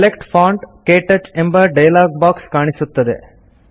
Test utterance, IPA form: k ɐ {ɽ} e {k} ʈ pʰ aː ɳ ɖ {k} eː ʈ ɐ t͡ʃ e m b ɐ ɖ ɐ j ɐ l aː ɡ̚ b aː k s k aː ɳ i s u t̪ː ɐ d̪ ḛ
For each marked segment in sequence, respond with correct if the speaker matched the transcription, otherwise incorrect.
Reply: incorrect, correct, correct

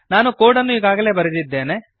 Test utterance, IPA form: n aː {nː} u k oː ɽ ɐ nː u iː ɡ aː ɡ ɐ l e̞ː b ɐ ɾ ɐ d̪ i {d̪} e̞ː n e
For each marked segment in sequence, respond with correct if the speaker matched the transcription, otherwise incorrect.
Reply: incorrect, incorrect

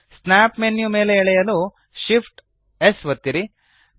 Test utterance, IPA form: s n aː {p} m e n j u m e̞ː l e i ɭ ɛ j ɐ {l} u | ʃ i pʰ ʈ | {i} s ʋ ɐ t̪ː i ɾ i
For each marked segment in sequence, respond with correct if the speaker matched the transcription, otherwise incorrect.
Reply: correct, correct, incorrect

